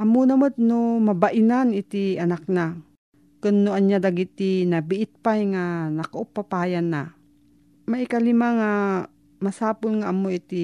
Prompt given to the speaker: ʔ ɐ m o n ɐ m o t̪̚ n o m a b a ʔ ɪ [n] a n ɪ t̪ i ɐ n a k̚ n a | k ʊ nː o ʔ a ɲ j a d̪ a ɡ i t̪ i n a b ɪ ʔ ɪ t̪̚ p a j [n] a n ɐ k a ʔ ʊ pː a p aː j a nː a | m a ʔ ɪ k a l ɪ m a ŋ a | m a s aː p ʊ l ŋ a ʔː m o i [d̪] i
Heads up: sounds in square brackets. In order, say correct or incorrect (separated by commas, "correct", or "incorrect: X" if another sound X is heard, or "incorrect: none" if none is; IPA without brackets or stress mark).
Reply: correct, incorrect: ŋ, incorrect: t̪